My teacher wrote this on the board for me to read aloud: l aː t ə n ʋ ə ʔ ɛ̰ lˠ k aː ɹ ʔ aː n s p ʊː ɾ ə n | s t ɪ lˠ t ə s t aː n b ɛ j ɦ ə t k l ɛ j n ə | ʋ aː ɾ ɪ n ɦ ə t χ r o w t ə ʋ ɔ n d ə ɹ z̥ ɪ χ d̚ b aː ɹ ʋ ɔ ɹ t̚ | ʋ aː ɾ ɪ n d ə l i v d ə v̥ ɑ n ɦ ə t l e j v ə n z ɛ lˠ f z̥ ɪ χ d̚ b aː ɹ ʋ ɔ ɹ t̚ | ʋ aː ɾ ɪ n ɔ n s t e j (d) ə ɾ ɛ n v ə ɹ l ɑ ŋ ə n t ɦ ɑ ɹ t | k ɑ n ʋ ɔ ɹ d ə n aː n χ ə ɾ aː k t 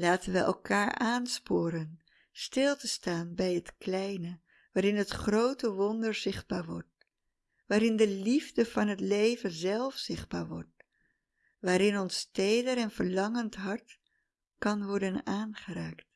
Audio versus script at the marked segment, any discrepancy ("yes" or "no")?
no